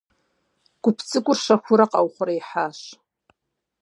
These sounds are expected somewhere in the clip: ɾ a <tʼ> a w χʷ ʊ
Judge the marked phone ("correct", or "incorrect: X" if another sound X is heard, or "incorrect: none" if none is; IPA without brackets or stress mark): incorrect: qʼ